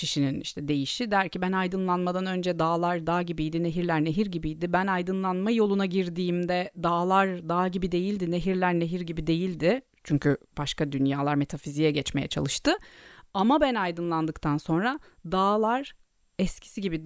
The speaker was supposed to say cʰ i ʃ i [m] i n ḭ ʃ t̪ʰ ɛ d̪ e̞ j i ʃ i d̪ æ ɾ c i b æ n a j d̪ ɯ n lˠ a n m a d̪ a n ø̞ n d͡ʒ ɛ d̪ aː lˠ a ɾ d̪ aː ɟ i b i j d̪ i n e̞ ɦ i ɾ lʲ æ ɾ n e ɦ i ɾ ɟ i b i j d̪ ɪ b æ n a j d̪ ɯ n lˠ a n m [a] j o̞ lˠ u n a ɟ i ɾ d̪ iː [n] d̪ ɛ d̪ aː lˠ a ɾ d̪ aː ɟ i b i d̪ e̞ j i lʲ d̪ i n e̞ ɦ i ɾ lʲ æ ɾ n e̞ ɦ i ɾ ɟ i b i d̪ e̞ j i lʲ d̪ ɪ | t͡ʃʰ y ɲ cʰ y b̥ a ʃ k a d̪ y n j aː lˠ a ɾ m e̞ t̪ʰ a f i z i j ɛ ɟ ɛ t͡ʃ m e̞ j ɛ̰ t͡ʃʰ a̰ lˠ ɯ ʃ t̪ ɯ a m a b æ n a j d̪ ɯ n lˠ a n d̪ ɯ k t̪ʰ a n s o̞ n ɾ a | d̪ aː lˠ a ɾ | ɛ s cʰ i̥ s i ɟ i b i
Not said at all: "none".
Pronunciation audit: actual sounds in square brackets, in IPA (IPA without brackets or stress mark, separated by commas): n, a, m